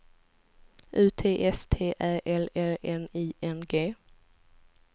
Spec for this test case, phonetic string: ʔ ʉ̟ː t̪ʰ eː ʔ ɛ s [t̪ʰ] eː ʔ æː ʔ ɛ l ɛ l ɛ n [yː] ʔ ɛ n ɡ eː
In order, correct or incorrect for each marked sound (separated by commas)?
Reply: correct, incorrect